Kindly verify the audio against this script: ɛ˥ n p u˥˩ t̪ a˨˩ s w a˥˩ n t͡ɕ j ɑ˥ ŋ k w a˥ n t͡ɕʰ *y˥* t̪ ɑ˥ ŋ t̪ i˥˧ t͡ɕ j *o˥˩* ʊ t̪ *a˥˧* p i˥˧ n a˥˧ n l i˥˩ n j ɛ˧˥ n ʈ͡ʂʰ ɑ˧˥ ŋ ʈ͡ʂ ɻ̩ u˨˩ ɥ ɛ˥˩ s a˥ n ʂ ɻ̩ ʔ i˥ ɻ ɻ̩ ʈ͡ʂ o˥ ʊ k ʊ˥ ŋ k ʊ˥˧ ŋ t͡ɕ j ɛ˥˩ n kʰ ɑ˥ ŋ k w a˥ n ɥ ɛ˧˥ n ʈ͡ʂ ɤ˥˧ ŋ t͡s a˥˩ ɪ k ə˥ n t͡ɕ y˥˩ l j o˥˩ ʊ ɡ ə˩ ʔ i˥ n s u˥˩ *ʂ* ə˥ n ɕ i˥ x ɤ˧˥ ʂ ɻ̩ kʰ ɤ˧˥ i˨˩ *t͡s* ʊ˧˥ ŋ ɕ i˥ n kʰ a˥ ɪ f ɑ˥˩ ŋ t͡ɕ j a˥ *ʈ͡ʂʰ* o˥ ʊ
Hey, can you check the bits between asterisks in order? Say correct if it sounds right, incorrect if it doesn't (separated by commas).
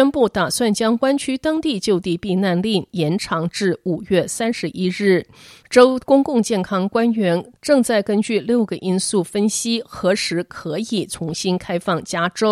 correct, incorrect, incorrect, incorrect, incorrect, incorrect